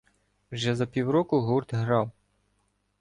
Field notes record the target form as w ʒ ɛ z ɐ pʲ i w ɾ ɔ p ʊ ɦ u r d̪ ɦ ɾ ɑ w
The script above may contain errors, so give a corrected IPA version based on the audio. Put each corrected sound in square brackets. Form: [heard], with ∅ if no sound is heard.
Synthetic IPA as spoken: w ʒ ɛ z ɐ pʲ i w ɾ ɔ [k] ʊ ɦ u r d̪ ɦ ɾ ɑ w